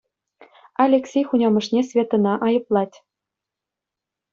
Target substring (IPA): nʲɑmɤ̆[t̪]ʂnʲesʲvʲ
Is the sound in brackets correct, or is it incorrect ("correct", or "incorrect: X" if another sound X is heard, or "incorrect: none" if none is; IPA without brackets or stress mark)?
incorrect: none